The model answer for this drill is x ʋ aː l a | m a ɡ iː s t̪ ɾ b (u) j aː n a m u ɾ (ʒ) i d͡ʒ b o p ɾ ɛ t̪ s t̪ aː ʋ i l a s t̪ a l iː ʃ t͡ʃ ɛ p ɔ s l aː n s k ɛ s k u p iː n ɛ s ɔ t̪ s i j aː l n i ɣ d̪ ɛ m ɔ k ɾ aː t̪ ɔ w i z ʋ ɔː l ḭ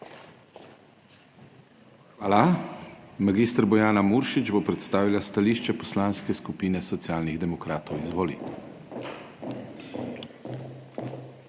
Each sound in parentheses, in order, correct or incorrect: incorrect: ɔ, incorrect: ʃ

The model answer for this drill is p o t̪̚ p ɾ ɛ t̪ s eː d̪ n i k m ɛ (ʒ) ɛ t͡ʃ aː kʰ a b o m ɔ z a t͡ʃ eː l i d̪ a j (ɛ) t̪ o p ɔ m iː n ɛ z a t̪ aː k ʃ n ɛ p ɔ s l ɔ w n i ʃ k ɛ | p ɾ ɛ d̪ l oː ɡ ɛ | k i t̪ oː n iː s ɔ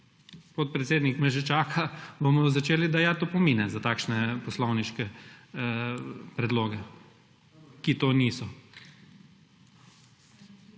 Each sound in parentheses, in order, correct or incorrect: correct, incorrect: a

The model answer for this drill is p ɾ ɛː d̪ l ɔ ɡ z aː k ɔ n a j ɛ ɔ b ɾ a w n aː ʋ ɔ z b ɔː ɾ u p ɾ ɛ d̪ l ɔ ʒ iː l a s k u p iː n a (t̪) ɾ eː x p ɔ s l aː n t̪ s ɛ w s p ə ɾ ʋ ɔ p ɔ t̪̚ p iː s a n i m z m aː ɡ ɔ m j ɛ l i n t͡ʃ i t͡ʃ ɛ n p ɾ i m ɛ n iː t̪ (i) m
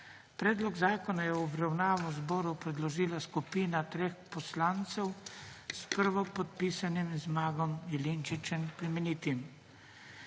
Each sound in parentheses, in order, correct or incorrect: correct, correct

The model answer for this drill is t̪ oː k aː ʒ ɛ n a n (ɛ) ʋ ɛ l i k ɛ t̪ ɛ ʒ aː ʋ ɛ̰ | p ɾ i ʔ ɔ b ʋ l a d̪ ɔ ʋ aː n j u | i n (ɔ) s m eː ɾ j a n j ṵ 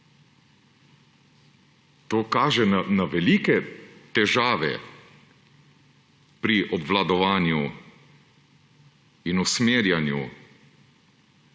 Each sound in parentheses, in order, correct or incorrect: incorrect: a, incorrect: u

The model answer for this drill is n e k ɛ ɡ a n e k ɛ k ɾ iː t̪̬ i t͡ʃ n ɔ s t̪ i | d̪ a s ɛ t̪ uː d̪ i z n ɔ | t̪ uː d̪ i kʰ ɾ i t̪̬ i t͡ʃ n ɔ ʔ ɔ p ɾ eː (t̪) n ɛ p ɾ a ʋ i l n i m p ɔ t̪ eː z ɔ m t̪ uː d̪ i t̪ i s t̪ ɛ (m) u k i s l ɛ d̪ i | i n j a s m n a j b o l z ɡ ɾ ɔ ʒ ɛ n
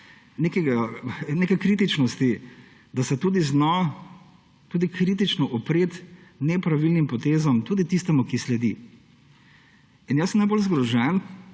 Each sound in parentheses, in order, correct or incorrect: correct, correct

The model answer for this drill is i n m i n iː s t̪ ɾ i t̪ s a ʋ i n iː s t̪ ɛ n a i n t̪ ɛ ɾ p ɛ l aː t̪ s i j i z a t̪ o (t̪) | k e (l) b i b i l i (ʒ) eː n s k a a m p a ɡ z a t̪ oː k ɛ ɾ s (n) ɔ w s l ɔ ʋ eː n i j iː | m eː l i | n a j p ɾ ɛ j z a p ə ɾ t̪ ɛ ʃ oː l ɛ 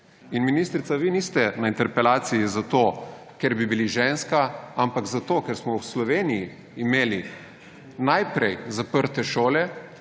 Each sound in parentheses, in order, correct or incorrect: incorrect: none, incorrect: ɾ, correct, incorrect: m

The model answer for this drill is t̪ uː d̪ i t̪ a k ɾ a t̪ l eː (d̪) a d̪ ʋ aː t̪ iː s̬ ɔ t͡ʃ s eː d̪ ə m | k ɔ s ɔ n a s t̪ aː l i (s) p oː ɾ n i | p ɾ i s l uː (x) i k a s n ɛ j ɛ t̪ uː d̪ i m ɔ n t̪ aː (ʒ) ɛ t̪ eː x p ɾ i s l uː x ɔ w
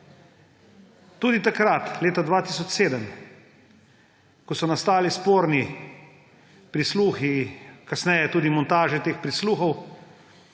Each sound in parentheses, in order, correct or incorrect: incorrect: t̪, correct, correct, correct

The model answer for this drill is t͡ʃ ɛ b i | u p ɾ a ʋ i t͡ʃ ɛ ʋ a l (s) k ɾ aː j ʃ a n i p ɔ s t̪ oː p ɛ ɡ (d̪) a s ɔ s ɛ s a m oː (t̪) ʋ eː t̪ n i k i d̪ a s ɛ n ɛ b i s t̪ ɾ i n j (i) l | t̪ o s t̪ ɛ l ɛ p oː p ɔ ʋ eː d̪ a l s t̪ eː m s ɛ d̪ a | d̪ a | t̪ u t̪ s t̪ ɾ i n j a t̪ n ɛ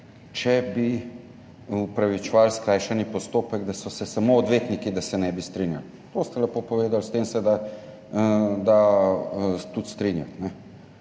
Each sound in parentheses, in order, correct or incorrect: correct, correct, incorrect: d̪, incorrect: a

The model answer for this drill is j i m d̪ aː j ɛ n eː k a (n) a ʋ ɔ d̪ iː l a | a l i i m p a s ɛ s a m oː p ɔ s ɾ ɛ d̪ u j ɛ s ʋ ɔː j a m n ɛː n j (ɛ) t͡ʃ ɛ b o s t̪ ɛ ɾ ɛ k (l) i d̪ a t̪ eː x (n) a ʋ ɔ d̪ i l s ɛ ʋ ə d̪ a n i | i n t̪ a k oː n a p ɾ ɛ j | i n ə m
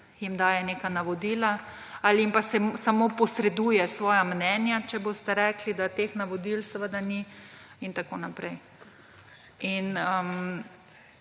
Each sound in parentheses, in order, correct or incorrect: correct, incorrect: a, correct, correct

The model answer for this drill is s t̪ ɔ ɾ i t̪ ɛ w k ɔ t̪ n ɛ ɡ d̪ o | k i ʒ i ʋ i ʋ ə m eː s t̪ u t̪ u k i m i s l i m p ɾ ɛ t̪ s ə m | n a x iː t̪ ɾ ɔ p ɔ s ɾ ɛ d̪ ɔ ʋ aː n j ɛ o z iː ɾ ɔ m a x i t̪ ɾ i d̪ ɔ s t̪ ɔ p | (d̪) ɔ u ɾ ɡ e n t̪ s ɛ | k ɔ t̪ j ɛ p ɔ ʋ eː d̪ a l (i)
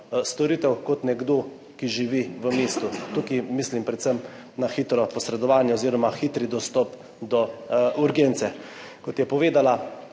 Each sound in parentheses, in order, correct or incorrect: correct, incorrect: a

